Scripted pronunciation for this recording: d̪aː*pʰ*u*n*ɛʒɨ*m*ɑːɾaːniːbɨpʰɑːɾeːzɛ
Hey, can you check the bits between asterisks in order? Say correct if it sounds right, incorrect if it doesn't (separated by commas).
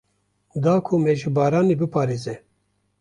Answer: incorrect, incorrect, incorrect